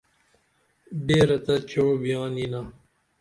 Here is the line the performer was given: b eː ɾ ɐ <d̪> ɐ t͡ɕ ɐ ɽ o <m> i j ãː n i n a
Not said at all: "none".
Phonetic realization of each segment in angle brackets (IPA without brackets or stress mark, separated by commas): t̪, b